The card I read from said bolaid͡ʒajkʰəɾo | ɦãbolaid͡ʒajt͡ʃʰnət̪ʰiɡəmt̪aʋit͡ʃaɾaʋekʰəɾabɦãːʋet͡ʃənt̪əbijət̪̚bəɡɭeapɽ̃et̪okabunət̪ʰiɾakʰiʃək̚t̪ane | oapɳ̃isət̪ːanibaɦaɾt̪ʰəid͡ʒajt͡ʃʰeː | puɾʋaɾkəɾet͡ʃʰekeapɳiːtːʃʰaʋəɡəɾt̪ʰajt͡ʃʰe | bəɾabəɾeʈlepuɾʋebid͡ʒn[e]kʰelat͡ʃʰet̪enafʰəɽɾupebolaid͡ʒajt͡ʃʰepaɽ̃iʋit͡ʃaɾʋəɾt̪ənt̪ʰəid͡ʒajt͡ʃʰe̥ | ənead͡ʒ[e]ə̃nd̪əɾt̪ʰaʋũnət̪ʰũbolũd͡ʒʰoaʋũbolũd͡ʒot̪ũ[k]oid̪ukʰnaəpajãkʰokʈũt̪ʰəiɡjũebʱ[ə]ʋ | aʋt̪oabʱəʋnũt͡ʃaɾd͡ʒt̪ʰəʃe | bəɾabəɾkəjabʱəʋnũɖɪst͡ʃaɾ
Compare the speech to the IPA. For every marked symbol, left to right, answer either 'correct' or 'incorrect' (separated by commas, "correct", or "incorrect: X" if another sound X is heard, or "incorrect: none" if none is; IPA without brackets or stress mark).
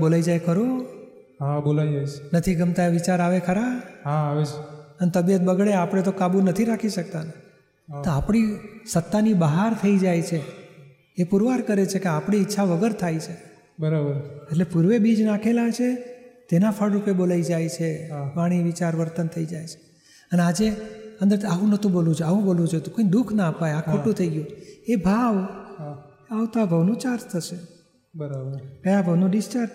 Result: incorrect: a, correct, correct, incorrect: a